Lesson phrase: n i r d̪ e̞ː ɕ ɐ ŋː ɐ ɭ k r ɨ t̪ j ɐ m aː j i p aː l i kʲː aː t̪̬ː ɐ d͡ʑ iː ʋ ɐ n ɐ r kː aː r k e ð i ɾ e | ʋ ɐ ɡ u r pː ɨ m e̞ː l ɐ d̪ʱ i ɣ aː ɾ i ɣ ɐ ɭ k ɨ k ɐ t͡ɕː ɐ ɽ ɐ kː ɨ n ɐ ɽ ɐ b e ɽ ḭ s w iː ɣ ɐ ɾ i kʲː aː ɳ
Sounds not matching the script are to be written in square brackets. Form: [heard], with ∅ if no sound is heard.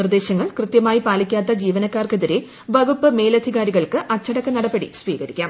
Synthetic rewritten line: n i r d̪ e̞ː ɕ ɐ ŋː ɐ ɭ k r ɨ t̪ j ɐ m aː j i p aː l i kʲː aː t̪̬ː ɐ d͡ʑ iː ʋ ɐ n ɐ [∅] kː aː r k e ð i ɾ e | ʋ ɐ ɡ u [∅] pː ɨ m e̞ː l ɐ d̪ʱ i ɣ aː ɾ i ɣ ɐ ɭ k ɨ [ʔ] ɐ t͡ɕː ɐ ɽ ɐ kː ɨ n ɐ ɽ ɐ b e ɽ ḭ s [ʋ] iː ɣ ɐ ɾ i kʲː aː [m]